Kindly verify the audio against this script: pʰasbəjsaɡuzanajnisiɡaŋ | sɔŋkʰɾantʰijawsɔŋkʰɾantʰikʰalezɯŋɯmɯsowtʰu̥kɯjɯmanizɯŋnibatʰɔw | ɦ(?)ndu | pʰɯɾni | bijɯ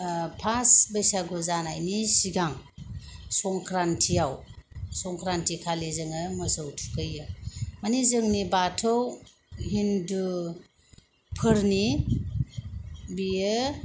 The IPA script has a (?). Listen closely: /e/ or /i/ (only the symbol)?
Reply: i